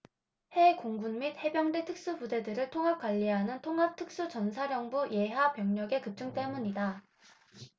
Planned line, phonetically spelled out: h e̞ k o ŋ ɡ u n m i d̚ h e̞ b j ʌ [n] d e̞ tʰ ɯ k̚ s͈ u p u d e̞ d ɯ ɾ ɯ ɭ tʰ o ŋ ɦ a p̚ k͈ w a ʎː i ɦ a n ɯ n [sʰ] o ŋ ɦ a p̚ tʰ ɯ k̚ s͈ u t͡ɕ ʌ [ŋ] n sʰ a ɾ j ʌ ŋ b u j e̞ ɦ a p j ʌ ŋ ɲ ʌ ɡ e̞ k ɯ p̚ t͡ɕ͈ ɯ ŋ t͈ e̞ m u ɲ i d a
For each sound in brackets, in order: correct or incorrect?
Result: incorrect: ŋ, incorrect: tʰ, incorrect: none

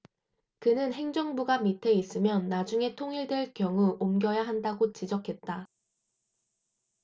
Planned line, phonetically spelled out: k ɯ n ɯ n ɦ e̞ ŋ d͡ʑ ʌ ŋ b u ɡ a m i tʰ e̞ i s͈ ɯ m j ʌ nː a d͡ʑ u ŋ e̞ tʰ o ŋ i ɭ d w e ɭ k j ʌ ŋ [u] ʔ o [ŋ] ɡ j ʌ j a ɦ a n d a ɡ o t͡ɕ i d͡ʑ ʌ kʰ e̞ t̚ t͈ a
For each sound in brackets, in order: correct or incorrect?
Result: correct, incorrect: m

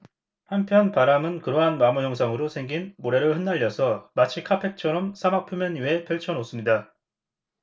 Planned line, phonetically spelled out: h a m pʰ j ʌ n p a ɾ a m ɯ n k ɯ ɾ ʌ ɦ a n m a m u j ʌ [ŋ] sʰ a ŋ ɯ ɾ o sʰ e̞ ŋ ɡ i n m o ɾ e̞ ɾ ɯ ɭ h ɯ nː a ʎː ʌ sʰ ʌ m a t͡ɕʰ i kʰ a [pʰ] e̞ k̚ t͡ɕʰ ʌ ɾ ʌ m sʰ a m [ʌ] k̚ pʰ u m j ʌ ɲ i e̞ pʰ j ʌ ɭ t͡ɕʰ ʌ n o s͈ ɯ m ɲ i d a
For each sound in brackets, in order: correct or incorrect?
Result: correct, correct, incorrect: a

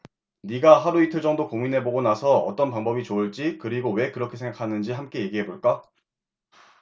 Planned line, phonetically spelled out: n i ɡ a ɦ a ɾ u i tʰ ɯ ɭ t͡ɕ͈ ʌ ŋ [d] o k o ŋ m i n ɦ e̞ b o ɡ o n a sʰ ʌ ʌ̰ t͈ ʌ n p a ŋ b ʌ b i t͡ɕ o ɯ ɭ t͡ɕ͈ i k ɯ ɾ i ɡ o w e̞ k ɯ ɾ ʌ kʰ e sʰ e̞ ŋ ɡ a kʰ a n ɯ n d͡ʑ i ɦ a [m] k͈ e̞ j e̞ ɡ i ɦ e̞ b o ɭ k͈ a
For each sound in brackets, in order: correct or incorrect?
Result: correct, correct

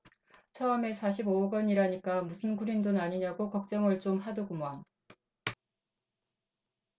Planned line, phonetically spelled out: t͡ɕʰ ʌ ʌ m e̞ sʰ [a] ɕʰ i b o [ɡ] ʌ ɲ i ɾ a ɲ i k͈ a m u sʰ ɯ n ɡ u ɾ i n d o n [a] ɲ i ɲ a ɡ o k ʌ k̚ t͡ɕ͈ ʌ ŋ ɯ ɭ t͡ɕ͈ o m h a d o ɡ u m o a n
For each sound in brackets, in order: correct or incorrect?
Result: correct, correct, correct

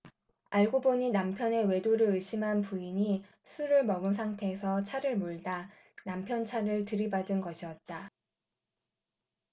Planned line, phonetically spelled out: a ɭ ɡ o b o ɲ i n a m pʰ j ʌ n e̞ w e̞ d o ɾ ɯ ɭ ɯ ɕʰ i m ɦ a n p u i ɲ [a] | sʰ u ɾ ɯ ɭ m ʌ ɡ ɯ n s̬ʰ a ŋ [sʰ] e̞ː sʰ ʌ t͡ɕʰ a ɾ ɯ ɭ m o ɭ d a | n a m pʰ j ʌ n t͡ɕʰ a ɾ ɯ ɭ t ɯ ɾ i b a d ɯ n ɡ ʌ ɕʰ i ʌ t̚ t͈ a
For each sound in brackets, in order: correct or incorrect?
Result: incorrect: i, incorrect: tʰ

